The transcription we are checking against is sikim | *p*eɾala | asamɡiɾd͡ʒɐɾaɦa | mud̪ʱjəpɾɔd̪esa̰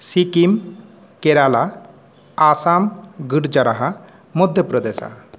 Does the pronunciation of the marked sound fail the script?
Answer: yes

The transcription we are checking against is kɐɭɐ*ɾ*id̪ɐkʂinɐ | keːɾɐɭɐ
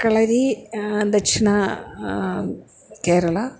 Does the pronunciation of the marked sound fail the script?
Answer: no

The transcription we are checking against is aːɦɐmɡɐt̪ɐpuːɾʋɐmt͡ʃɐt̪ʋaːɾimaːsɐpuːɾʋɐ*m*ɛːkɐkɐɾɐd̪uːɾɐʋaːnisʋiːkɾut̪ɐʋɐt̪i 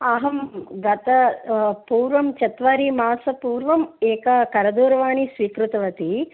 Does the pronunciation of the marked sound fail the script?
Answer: no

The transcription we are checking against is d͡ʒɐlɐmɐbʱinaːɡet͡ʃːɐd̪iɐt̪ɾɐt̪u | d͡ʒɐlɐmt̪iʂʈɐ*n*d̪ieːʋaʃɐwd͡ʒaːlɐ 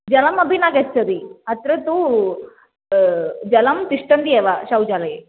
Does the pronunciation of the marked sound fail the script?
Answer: no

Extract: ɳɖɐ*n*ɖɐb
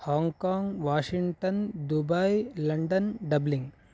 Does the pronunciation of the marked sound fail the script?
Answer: no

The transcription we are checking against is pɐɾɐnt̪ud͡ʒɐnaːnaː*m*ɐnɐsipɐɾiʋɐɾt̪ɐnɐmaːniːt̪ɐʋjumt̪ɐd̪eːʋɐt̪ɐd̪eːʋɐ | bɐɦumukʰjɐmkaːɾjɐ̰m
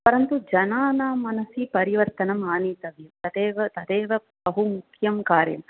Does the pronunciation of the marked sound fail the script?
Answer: no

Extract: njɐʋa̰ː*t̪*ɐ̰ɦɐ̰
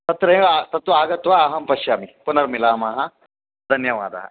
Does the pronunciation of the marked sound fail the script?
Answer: yes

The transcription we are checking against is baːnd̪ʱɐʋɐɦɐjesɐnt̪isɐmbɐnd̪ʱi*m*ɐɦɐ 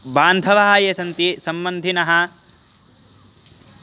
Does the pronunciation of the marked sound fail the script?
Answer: yes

